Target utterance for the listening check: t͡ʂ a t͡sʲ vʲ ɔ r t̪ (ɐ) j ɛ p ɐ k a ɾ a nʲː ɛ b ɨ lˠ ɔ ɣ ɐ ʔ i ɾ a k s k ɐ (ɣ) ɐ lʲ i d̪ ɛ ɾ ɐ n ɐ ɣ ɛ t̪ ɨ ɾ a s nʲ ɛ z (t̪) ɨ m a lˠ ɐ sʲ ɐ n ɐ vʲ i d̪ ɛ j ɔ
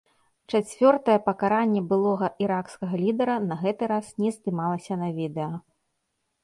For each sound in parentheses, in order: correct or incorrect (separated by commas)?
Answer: correct, correct, incorrect